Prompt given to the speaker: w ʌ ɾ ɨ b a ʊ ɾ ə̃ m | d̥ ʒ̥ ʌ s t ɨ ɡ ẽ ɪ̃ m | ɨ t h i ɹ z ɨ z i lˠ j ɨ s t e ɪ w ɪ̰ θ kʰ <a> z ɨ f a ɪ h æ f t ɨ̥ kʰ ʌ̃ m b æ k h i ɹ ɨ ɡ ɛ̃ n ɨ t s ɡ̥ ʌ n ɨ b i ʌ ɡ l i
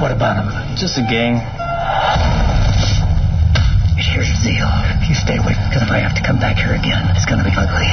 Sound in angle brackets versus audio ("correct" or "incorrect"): incorrect